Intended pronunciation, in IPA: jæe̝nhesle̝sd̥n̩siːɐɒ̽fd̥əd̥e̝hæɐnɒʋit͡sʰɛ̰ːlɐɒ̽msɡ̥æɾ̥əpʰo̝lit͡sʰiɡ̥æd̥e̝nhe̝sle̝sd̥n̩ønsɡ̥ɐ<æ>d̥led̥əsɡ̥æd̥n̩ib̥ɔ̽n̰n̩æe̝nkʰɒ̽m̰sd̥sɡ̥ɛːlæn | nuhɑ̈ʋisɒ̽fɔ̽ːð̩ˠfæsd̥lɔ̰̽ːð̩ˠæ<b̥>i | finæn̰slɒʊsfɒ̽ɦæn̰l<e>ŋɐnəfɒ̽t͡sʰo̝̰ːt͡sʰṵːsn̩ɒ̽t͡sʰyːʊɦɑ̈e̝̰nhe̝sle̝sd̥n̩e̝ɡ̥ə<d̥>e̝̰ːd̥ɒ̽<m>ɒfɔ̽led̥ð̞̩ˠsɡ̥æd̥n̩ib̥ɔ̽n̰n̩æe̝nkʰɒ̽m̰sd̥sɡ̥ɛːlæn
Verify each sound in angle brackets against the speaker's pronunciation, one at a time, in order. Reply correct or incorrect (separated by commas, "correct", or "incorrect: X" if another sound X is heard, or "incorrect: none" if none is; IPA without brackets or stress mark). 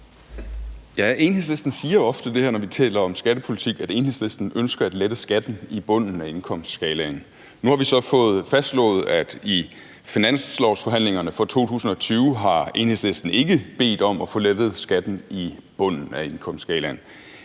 correct, incorrect: d̥, correct, incorrect: b̥, correct